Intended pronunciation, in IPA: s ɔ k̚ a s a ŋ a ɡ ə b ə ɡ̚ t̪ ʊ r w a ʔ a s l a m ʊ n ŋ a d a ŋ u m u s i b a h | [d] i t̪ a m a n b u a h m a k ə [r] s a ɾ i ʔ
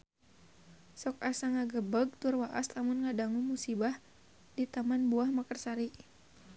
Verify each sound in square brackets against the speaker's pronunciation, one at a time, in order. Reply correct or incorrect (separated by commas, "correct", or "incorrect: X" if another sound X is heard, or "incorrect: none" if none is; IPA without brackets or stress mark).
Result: correct, correct